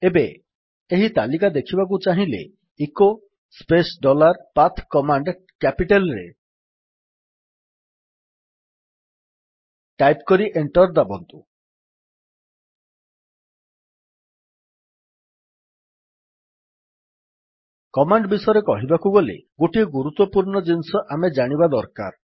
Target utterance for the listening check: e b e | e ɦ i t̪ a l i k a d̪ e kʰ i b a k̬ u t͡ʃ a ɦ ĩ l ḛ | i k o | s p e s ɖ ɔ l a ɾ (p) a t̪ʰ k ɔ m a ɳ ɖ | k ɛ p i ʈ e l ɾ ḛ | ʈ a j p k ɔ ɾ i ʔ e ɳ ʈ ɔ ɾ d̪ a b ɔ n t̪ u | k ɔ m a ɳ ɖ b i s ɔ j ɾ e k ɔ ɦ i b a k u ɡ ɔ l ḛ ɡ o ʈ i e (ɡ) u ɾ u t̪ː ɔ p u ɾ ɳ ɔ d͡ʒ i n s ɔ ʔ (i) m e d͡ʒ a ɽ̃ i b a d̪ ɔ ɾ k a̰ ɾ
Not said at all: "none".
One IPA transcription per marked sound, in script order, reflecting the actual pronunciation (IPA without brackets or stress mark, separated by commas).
p, ɡ, a